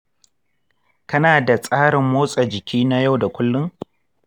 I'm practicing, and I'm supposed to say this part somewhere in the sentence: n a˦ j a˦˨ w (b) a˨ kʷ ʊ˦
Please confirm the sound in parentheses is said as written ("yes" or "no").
no